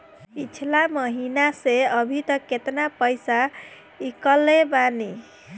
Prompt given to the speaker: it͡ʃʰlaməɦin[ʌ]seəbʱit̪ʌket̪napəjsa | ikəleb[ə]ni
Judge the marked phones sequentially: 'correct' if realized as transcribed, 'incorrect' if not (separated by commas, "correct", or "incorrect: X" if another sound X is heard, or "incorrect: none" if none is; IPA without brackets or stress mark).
incorrect: a, incorrect: a